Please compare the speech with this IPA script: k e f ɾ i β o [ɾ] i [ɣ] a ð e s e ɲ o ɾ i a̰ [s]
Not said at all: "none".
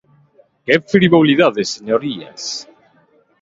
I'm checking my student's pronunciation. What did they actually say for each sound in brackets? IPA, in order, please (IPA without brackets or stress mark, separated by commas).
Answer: l, ð, s